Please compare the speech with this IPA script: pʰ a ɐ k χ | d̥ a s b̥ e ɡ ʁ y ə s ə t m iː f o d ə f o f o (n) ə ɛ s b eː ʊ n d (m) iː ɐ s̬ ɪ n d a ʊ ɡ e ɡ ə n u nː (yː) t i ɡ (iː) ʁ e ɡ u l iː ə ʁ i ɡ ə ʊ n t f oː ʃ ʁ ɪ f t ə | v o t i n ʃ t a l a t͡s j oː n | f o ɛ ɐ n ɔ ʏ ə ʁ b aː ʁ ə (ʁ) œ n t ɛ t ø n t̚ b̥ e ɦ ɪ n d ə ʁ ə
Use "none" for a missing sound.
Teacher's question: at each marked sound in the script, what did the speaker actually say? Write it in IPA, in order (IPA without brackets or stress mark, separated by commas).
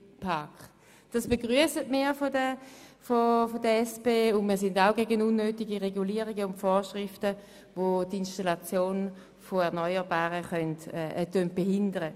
d, m, øː, i, χ